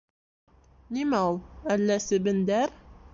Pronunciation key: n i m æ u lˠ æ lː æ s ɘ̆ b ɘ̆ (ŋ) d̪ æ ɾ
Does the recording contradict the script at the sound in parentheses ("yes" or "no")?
yes